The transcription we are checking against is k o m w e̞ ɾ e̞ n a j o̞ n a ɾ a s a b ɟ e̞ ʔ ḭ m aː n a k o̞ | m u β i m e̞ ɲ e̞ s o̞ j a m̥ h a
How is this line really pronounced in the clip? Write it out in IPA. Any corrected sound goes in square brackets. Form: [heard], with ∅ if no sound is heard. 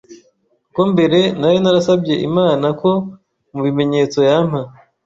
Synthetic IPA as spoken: k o m [b] e̞ ɾ e̞ n a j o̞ n a ɾ a s a b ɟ e̞ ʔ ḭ m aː n a k o̞ | m u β i m e̞ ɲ e̞ [t͡s] o̞ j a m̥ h a

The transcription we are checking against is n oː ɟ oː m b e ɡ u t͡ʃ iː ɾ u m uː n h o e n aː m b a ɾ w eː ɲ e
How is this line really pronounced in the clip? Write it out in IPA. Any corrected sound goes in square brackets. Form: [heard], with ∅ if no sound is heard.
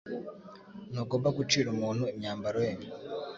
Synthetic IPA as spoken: n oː [ɡ] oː m b [a] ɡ u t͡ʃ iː ɾ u m uː n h [u] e [ɲ] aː m b a ɾ w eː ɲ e

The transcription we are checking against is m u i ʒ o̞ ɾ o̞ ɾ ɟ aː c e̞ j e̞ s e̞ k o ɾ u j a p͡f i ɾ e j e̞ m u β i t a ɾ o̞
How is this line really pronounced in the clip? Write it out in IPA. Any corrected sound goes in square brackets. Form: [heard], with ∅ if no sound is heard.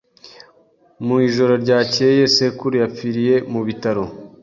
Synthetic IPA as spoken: m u i ʒ o̞ ɾ o̞ ɾ ɟ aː c e̞ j e̞ s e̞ k [u] ɾ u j a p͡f i ɾ [i] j e̞ m u β i t a ɾ o̞

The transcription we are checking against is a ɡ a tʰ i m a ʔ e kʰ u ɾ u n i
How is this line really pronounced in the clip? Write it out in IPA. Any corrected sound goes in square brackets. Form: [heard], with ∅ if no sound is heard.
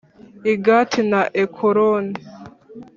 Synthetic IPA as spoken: [i] ɡ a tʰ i [n] a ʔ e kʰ [o] ɾ [o] n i

